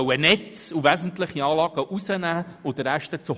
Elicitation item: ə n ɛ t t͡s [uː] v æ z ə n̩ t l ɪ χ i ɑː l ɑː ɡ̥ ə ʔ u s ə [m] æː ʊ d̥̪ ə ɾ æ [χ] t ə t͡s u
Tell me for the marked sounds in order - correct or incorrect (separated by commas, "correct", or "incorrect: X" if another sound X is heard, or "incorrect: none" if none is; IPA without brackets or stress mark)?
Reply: incorrect: u, incorrect: n, incorrect: ʃ